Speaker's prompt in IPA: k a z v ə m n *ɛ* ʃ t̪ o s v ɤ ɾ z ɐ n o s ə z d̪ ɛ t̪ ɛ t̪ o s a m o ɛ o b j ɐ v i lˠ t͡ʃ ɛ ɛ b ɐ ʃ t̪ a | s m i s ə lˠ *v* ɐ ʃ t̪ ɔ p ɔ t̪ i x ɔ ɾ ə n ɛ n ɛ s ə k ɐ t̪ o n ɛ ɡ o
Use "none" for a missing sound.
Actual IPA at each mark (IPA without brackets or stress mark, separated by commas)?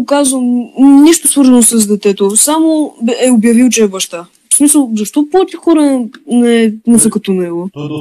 i, z